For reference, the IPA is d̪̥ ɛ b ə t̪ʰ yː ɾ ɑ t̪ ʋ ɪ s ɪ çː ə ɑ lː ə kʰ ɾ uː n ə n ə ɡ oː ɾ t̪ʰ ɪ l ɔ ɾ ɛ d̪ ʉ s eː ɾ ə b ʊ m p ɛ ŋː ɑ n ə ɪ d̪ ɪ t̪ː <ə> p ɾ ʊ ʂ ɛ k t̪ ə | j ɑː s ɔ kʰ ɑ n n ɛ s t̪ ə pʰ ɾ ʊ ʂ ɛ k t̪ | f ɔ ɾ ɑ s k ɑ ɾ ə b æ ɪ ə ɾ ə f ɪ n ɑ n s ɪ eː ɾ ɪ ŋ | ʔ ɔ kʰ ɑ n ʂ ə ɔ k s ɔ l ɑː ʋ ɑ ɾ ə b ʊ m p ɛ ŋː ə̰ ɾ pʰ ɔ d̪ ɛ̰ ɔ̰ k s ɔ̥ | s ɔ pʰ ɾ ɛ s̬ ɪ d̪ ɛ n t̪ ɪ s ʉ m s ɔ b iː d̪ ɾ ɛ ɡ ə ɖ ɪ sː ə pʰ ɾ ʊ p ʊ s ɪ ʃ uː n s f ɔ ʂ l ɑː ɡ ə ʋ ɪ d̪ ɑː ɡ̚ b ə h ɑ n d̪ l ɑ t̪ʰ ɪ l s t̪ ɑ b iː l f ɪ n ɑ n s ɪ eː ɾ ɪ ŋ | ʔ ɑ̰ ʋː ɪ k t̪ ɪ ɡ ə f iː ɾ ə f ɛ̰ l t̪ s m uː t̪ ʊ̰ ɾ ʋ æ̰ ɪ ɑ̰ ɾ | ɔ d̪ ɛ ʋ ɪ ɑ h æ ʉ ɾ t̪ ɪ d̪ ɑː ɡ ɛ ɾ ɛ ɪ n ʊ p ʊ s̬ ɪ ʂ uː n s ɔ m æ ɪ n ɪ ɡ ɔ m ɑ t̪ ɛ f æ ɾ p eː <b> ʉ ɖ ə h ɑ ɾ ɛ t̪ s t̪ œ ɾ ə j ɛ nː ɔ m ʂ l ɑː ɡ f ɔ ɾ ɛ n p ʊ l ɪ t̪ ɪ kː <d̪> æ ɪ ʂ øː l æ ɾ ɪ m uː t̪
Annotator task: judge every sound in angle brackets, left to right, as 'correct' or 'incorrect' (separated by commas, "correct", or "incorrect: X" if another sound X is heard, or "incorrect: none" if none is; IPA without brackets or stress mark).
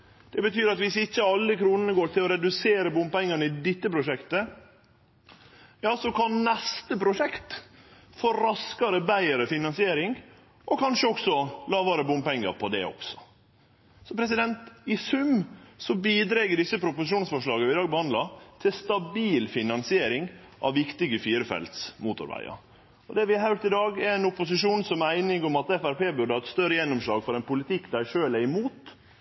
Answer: correct, correct, correct